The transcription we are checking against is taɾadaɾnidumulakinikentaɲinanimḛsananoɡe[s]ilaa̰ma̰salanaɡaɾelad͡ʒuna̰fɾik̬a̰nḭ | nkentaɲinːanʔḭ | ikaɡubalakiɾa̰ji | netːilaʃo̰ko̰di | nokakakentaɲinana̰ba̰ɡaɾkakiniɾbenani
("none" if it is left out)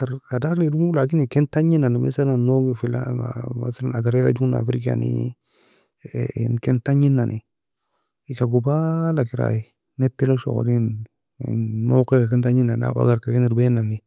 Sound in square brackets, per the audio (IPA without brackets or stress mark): f